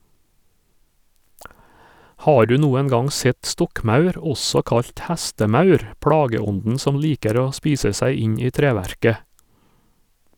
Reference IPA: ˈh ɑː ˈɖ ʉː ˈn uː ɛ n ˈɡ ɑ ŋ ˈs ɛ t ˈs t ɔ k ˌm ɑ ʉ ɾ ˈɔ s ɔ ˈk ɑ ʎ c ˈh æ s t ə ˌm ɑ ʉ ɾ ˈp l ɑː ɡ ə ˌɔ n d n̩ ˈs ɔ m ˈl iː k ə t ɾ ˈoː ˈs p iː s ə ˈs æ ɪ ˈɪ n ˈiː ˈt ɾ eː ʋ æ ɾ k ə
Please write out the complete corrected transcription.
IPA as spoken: ˈh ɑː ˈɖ ʉː ˈn uː ɛ n ˈɡ ɑ ŋ ˈs ɛ t ˈs t ɔ k ˌm ɑ ʉ ɾ ˈɔ s ɔ ˈk ɑ ʎ c ˈh æ s t ə ˌm ɑ ʉ ɾ ˈp ɽ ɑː ɡ ə ˌɔ n d n̩ ˈs ɔ m ˈl iː k ə ɾ ˈoː ˈs p iː s ə ˈs æ ɪ ˈɪ ɲ ˈiː ˈt ɾ eː ʋ æ ɾ k ə